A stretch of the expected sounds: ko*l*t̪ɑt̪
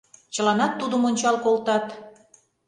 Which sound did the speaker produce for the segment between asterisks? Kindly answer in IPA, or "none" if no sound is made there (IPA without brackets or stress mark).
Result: l